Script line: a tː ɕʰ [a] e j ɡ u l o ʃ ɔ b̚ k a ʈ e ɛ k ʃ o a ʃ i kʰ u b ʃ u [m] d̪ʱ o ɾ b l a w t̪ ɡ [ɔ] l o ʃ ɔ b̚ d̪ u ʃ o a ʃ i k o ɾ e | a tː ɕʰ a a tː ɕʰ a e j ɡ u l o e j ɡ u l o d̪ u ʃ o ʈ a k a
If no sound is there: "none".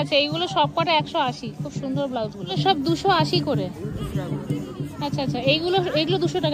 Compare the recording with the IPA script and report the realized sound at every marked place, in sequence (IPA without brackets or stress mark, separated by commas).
a, n, u